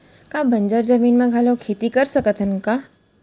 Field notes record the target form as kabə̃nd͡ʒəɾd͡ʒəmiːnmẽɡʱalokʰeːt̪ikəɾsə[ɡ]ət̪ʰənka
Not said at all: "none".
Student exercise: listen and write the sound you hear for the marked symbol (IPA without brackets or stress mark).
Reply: k